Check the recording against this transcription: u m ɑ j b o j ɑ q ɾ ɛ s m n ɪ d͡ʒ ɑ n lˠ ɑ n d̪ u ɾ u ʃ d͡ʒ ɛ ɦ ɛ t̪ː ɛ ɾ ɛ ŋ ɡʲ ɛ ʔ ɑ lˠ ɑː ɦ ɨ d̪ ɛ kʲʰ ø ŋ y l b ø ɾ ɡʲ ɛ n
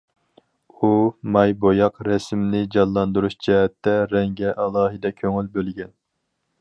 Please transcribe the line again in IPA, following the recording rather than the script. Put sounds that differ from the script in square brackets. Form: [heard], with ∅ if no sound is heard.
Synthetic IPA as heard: u m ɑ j b o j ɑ q ɾ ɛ s m n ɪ d͡ʒ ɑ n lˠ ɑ n d̪ u ɾ u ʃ d͡ʒ ɛ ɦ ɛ t̪ː ɛ ɾ ɛ ŋ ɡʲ ɛ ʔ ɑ lˠ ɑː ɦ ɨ d̪ ɛ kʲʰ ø ŋ y l b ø [l] ɡʲ ɛ n

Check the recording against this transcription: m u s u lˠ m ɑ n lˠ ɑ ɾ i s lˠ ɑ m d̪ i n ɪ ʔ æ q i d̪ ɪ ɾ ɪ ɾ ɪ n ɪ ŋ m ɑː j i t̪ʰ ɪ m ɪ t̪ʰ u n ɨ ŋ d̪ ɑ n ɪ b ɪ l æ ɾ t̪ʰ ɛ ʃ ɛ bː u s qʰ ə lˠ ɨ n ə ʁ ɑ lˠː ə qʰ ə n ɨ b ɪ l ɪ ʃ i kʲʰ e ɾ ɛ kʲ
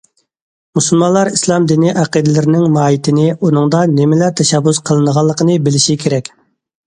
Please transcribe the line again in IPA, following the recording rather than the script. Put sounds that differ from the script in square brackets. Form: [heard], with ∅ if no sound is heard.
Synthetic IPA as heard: m u s u lˠ m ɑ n lˠ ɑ ɾ i s lˠ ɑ m d̪ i n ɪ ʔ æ q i d̪ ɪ [l] ɪ ɾ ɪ n ɪ ŋ m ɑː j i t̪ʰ ɪ [n] ɪ [∅] u n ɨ ŋ d̪ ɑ n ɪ [m] ɪ l æ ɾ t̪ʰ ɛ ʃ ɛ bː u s qʰ ə lˠ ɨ n ə ʁ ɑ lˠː ə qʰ ə n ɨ b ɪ l ɪ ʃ i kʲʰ e ɾ ɛ kʲ

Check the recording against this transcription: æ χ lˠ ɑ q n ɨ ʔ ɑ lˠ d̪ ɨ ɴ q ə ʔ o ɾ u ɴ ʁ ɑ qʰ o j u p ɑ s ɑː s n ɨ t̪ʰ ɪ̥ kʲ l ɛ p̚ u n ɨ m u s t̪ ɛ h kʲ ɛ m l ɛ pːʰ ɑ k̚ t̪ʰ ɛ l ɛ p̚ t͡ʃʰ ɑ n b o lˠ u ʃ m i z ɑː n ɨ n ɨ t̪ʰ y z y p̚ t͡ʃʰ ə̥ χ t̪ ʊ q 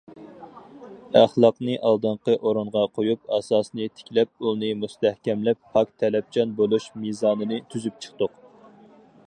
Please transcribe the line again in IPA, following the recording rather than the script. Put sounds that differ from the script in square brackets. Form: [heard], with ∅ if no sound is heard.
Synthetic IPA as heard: æ χ lˠ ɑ q n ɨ ʔ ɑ lˠ d̪ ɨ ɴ q ə ʔ o ɾ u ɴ ʁ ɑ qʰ o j u p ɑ s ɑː s n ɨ t̪ʰ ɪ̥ kʲ l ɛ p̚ u n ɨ m u s t̪ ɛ h kʲ ɛ m l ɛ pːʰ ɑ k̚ t̪ʰ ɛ l ɛ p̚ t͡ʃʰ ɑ n b o lˠ u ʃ m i z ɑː n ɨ n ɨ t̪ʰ y z y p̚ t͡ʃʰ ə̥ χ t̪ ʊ q

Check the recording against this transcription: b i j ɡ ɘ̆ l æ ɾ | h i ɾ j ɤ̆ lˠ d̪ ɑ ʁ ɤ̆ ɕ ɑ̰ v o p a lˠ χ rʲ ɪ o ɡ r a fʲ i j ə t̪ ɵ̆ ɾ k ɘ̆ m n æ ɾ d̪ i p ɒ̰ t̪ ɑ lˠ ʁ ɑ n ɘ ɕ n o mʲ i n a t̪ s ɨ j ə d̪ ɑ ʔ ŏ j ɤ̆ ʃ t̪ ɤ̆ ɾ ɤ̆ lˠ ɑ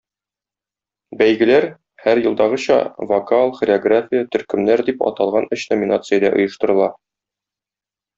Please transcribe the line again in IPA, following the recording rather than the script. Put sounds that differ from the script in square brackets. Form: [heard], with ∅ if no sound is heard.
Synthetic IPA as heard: b [æ] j ɡ ɘ̆ l æ ɾ | h [æ] ɾ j ɤ̆ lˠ d̪ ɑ ʁ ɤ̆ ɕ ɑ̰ v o [k] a lˠ χ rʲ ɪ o ɡ r a fʲ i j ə t̪ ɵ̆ ɾ k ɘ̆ m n æ ɾ d̪ i p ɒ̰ t̪ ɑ lˠ ʁ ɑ n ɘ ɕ n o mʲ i n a t̪ s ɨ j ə d̪ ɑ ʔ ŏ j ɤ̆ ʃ t̪ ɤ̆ ɾ ɤ̆ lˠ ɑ

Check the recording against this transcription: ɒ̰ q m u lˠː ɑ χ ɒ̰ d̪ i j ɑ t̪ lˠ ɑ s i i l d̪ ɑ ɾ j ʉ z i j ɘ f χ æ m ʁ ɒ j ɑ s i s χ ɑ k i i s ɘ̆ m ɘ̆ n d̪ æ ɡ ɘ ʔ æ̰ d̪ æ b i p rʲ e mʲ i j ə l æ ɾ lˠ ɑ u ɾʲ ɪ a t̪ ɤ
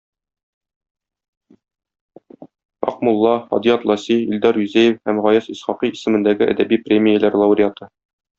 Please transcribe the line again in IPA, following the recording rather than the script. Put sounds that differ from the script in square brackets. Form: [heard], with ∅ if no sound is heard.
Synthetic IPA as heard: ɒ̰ q m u lˠː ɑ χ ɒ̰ d̪ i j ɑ t̪ lˠ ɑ s i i l d̪ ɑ ɾ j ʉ z [æ] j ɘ f [h] æ m ʁ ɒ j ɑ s i s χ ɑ [q] i i s ɘ̆ m ɘ̆ n d̪ æ ɡ ɘ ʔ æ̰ d̪ æ b i p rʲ e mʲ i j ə l æ ɾ lˠ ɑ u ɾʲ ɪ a t̪ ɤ

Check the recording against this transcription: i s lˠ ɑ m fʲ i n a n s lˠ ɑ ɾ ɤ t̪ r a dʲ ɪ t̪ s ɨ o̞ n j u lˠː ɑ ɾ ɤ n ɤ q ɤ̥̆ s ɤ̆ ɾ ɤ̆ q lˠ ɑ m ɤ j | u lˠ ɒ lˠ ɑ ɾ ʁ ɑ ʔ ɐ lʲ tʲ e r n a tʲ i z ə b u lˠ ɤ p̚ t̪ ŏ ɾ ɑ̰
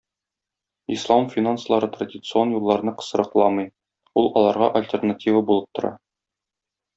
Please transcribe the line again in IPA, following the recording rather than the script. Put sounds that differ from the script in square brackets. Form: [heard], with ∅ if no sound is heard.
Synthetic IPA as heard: i s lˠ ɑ m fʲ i n a n s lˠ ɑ ɾ ɤ t̪ r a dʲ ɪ t̪ s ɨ o̞ n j u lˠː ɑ ɾ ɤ n ɤ q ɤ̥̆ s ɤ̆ ɾ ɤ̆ q lˠ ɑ m ɤ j | u lˠ ɒ lˠ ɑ ɾ ʁ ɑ ʔ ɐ lʲ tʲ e r n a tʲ i [v] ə b u lˠ ɤ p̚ t̪ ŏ ɾ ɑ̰

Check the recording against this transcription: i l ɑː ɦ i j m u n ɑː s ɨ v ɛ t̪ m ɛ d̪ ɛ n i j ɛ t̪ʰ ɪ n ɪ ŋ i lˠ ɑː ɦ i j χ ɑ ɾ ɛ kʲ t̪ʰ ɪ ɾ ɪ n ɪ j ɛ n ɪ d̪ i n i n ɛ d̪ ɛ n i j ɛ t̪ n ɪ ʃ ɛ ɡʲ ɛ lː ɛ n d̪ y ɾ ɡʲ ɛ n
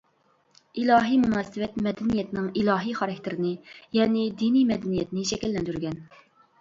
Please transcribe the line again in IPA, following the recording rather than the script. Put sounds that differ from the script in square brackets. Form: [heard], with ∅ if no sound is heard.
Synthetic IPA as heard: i l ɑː ɦ i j m u n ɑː s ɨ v ɛ t̪ m ɛ d̪ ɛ n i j ɛ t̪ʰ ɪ n ɪ ŋ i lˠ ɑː ɦ i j χ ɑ ɾ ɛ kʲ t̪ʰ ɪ ɾ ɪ n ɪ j ɛ n ɪ d̪ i n i [m] ɛ d̪ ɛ n i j ɛ t̪ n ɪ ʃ ɛ [kʲ] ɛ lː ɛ n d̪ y ɾ ɡʲ ɛ n

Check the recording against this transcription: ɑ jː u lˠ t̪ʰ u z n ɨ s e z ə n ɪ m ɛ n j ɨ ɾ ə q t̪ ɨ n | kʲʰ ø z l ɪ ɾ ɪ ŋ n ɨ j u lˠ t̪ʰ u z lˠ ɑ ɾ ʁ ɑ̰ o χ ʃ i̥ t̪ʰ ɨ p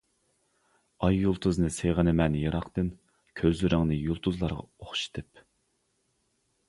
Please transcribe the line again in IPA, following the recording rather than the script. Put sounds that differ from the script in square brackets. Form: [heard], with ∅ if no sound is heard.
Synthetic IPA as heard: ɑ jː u lˠ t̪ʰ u z n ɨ s e [ʁ] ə n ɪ m ɛ n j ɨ ɾ [ɑ] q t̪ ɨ n | kʲʰ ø z l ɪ ɾ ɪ ŋ n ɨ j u lˠ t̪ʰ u z lˠ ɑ ɾ ʁ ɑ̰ o χ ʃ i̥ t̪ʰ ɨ p

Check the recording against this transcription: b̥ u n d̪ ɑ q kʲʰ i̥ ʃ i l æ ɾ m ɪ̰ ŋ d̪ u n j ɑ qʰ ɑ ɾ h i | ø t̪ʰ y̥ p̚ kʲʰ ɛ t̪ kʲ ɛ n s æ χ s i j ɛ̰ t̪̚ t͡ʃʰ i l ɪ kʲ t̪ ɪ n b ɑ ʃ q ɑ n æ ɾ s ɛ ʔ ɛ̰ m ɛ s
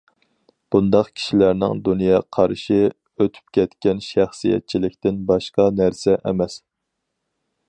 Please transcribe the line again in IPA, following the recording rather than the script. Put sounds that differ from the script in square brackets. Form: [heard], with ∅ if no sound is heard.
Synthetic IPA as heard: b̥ u n d̪ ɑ q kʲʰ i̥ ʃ i l æ ɾ [n] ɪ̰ ŋ d̪ u n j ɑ qʰ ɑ ɾ [ʃ] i | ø t̪ʰ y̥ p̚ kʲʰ ɛ t̪ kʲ ɛ n [ʃ] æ χ s i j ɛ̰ t̪̚ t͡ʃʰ i l ɪ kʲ t̪ ɪ n b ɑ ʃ q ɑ n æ ɾ s ɛ ʔ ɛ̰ m ɛ s

